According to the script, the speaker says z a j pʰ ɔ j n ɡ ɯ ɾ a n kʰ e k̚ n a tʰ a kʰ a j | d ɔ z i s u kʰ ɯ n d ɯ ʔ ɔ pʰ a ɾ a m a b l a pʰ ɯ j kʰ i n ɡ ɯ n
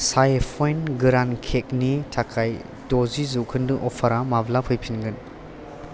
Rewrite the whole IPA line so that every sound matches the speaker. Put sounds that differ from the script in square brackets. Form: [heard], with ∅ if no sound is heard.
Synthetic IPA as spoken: [s] a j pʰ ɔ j n ɡ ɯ ɾ a n kʰ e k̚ n [i] tʰ a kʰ a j | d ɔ z i [z] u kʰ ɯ n d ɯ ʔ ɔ pʰ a ɾ a m a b l a pʰ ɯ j [pʰ] i n ɡ ɯ n

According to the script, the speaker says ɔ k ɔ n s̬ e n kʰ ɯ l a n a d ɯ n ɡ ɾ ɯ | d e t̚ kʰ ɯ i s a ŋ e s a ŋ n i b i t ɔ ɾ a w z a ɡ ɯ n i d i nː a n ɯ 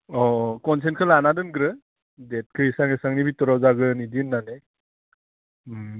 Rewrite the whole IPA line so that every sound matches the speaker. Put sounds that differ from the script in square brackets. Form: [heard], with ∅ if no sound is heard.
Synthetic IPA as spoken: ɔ k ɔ n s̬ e n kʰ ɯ l a n a d ɯ n ɡ ɾ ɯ | d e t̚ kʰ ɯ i s a ŋ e s a ŋ n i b i t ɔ ɾ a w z a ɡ ɯ n i d i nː a n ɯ

